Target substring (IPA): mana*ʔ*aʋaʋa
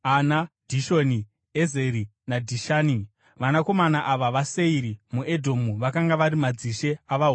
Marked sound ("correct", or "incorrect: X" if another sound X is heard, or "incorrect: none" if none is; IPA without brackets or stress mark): correct